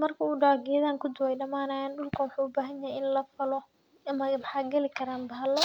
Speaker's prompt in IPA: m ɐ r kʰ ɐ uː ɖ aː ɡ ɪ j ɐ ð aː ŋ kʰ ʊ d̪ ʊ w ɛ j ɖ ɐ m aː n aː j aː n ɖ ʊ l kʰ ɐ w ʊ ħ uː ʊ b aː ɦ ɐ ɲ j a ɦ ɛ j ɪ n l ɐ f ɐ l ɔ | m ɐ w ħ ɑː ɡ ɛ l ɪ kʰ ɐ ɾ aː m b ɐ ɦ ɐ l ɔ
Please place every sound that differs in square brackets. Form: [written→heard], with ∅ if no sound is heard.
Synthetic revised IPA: m ɐ r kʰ ɐ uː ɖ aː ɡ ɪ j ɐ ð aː ŋ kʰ ʊ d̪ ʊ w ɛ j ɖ ɐ m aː n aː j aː n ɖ ʊ l kʰ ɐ w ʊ ħ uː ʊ b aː ɦ ɐ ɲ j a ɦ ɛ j ɪ n l ɐ f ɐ l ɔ | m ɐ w ħ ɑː ɡ ɛ l ɪ kʰ ɐ ɾ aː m b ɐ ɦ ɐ l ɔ